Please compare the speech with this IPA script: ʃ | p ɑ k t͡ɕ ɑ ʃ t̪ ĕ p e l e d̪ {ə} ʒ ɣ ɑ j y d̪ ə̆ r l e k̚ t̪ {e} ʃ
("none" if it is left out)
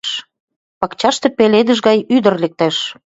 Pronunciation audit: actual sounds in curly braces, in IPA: ə, æ

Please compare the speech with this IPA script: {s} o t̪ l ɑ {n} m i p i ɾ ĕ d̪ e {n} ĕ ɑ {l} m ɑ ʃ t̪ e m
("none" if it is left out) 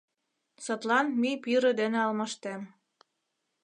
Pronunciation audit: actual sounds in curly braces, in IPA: s, n, n, l

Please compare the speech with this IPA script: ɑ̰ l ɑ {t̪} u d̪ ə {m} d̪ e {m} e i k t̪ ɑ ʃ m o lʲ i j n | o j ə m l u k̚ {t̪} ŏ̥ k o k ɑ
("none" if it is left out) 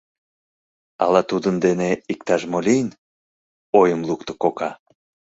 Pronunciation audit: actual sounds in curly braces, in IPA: t̪, n, n, t̪

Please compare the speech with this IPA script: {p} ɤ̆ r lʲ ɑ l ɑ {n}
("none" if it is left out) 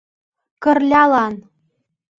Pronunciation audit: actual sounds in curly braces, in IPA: k, n

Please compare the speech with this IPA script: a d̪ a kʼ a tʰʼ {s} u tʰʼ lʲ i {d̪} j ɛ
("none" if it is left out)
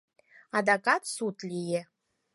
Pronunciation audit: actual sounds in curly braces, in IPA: s, none

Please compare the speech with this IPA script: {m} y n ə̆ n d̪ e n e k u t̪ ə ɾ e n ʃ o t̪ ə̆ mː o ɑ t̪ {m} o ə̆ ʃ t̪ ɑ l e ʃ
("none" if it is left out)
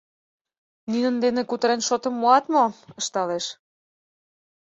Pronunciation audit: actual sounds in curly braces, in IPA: n, m

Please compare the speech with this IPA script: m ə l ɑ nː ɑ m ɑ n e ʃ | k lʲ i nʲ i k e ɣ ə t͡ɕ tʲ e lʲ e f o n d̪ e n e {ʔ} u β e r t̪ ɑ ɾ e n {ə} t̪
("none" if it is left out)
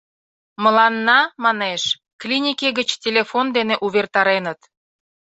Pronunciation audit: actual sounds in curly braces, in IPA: ʔ, ə

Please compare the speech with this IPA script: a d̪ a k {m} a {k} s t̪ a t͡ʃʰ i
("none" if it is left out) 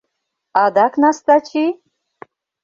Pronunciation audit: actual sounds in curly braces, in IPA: n, none

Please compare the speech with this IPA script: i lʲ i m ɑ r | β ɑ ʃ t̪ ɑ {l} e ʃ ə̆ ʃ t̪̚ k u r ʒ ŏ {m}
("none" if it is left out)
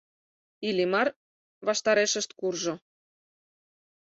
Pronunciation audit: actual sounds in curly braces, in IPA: ɾ, none

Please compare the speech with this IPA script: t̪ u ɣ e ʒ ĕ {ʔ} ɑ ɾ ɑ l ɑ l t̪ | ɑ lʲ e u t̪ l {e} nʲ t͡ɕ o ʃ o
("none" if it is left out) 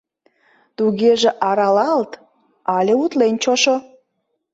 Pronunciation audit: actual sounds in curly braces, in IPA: ʔ, e

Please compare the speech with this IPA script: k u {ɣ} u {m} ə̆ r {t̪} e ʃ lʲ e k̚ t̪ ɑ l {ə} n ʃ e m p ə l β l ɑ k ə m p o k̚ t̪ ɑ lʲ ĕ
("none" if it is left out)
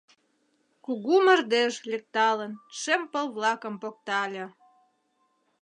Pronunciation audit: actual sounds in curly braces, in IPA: ɣ, m, d̪, ə

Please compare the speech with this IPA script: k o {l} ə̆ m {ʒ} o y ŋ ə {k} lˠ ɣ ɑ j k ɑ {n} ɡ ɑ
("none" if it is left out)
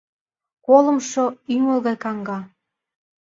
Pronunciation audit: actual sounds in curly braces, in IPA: l, ʃ, none, ŋ

